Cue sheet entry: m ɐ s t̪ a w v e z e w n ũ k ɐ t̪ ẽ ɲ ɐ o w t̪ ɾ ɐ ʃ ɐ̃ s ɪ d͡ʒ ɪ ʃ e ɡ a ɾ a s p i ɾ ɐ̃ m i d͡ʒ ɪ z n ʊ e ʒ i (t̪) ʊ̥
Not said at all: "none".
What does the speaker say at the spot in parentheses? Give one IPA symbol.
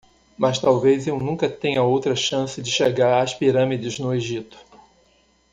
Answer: t̪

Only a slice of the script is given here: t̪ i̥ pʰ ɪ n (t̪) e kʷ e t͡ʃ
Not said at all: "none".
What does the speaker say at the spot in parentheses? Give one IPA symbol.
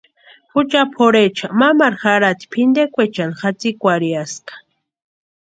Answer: d̪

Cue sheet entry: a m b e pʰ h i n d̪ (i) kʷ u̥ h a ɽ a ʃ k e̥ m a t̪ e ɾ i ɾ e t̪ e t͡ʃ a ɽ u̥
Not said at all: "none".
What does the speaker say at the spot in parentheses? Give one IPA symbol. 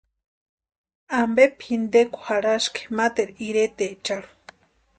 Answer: e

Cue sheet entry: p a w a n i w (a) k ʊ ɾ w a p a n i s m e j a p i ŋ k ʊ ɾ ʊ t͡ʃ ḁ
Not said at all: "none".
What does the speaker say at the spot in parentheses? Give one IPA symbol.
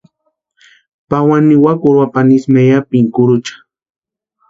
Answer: a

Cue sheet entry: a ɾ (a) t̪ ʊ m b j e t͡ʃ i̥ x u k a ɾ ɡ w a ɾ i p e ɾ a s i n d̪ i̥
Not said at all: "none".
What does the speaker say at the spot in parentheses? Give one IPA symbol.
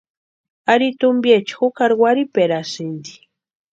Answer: i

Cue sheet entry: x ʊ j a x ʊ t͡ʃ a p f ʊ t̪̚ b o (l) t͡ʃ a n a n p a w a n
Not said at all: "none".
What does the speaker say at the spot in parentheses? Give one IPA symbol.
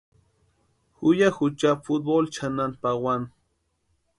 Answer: l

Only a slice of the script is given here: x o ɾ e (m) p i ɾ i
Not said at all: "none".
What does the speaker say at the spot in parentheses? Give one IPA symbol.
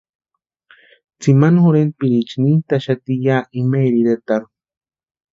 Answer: n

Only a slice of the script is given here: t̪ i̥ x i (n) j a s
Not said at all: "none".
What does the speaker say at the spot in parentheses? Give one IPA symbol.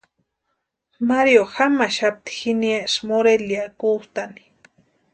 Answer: n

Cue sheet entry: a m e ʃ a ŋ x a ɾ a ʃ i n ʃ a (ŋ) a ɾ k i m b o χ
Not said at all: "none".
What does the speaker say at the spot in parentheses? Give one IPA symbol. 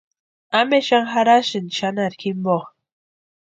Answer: n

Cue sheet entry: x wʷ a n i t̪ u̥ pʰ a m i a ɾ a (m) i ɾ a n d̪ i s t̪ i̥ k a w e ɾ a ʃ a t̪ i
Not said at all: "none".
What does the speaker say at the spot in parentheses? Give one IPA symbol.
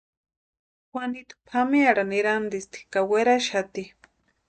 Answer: n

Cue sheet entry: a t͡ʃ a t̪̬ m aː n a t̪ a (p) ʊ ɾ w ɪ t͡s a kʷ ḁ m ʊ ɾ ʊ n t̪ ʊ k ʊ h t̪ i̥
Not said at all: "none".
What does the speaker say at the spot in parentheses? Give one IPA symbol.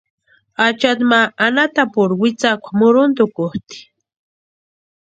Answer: p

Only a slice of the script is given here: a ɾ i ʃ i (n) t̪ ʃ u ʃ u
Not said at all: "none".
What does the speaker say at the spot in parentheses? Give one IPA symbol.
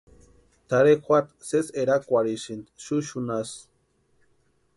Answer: n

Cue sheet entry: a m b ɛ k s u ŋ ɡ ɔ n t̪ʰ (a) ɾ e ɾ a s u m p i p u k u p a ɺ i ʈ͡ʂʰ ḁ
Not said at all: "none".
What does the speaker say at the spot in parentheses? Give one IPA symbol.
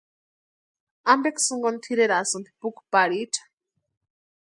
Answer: i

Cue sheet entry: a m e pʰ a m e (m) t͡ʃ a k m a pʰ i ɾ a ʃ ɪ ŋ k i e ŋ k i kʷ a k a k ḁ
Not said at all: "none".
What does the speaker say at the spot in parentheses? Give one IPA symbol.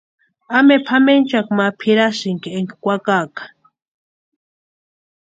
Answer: n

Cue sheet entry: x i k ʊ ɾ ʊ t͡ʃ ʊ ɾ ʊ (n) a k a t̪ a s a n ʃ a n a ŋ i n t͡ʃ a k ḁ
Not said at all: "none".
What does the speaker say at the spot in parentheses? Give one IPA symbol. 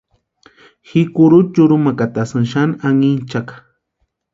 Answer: m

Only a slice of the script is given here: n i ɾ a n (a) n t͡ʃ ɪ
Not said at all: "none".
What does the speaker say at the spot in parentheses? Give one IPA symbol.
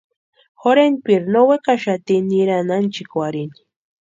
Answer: a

